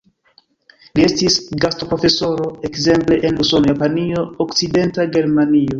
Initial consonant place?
alveolar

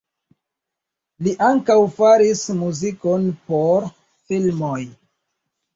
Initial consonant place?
alveolar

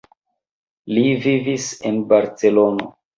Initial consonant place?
alveolar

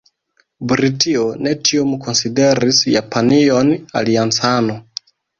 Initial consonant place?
labial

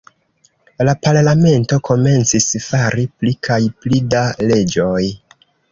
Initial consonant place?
alveolar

